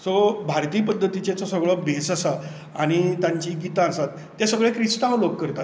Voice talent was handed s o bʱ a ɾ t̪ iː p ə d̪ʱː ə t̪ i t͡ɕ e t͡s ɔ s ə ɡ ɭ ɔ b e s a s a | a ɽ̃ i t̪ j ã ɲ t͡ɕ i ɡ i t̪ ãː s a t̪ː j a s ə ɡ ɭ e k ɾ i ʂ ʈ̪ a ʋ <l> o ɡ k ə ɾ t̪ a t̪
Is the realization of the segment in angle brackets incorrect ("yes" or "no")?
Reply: no